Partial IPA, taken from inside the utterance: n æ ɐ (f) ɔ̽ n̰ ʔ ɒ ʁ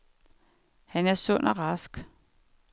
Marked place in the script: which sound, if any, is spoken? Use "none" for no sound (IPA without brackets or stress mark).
s